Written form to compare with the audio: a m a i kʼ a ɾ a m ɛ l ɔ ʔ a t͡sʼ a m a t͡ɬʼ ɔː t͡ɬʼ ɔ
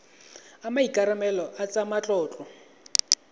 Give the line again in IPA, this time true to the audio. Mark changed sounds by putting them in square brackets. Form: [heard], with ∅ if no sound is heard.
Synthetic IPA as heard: a m a i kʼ a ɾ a m ɛ l ɔ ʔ a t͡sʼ a m a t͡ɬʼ ɔː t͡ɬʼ ɔ